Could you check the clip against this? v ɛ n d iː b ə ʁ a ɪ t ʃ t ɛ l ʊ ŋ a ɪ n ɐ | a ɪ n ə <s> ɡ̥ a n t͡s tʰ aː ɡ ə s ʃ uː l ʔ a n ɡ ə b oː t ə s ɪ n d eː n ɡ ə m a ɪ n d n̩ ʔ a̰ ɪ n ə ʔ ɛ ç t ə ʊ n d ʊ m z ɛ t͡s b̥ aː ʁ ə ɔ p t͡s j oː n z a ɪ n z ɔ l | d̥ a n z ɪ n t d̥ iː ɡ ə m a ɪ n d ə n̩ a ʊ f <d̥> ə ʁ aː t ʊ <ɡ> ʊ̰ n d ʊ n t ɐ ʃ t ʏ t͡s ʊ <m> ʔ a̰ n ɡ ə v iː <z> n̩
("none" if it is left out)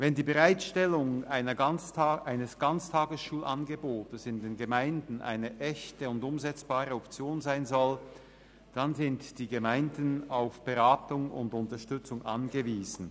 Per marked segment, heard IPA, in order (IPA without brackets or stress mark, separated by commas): s, b̥, ŋ, ŋ, z